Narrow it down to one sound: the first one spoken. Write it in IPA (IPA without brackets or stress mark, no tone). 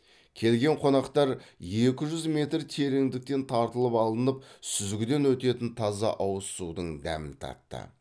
kʲʰ